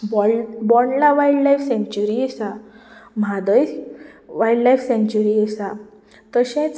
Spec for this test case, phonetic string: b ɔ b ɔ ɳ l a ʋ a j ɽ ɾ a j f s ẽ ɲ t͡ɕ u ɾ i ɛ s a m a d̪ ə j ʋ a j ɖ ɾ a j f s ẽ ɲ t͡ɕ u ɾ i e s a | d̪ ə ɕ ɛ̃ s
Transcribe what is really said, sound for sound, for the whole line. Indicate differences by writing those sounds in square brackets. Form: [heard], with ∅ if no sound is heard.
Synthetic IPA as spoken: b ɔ b ɔ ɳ l a ʋ a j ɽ [l] a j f s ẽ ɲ t͡ɕ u ɾ i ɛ s a m a d̪ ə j ʋ a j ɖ [l] a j f s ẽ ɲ t͡ɕ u ɾ i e s a | [t̪] ə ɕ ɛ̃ [t͡s]